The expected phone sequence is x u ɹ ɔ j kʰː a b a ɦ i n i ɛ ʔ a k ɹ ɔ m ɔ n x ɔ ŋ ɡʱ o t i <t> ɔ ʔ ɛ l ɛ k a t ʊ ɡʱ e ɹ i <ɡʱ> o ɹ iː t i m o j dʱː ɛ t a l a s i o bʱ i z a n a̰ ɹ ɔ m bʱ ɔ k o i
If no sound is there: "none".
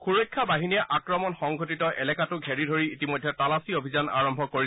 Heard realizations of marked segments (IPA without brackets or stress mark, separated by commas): t, dʱ